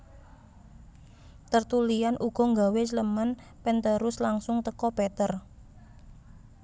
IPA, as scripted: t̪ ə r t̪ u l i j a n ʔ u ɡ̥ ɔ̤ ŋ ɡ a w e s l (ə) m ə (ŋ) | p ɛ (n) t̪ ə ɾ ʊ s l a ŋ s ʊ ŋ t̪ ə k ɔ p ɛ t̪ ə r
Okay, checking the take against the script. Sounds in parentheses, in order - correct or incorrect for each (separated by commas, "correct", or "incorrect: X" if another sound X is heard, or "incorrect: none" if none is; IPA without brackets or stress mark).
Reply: correct, incorrect: n, correct